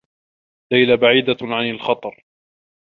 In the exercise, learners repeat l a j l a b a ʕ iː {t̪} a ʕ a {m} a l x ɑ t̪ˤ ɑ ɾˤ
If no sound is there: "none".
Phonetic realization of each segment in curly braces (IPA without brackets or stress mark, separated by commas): d̪, n